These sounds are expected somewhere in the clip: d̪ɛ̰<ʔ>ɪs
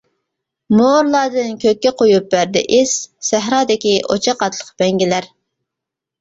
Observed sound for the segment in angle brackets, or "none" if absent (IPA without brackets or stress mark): ʔ